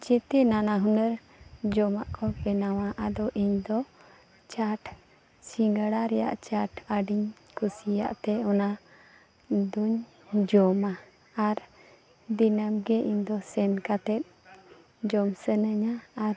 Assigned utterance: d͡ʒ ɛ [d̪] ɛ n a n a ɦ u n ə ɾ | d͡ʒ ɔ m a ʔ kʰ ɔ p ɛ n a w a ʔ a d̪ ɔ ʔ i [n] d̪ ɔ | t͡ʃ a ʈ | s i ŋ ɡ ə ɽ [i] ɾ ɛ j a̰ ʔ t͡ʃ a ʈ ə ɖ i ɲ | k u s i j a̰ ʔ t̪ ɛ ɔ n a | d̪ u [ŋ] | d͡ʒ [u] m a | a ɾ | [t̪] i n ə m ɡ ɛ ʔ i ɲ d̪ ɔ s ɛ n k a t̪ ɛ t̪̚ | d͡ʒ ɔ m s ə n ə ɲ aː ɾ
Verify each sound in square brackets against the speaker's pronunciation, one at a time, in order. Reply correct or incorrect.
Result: incorrect, incorrect, incorrect, incorrect, incorrect, incorrect

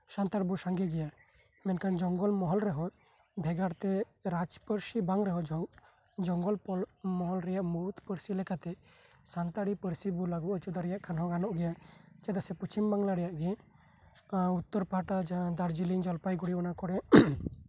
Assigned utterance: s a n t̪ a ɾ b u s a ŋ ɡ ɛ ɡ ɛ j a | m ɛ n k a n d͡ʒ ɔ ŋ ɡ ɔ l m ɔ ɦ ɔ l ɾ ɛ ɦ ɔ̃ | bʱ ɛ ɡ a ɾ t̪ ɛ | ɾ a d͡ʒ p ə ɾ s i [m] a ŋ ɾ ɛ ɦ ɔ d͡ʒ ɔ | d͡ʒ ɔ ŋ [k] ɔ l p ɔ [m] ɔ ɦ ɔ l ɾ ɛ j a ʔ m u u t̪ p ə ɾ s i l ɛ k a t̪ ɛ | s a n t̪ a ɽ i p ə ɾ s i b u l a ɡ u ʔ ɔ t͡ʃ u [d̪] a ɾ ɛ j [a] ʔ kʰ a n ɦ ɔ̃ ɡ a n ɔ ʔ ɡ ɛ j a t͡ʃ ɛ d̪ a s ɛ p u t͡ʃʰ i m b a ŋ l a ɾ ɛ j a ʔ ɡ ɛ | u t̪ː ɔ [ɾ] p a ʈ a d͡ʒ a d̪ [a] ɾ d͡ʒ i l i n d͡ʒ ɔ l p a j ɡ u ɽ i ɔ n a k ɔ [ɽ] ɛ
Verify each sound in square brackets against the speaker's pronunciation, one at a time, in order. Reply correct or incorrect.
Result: incorrect, incorrect, correct, correct, correct, correct, correct, correct

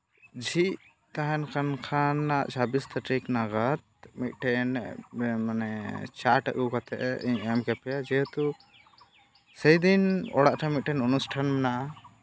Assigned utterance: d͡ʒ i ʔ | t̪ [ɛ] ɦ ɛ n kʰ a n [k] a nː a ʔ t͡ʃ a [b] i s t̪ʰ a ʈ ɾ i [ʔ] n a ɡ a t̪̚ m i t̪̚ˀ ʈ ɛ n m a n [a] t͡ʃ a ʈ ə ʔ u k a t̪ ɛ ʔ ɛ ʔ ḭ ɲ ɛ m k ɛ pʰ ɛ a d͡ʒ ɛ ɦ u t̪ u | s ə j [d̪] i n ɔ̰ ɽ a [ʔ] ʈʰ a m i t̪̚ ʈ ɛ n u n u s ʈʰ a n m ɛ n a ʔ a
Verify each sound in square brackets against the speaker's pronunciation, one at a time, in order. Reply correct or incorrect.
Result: incorrect, incorrect, correct, incorrect, incorrect, correct, correct

